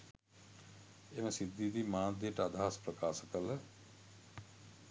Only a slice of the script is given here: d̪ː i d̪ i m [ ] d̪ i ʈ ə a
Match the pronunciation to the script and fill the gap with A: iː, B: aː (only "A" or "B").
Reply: B